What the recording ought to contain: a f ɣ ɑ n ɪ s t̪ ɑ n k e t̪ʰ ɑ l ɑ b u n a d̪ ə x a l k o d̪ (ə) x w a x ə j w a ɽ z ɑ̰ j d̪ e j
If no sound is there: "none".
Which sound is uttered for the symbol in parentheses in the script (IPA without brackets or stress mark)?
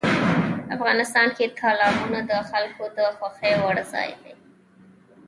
ə